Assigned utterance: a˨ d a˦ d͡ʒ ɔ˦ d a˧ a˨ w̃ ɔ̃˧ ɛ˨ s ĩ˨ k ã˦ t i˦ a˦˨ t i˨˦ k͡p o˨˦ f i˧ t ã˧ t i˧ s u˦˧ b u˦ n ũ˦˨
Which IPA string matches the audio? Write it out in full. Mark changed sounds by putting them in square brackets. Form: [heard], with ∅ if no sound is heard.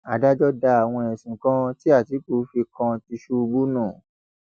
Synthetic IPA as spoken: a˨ d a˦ d͡ʒ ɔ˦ d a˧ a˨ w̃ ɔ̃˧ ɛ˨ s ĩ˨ k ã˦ t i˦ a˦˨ t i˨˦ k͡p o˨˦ f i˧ [k] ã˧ t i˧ [ʃ] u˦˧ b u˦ n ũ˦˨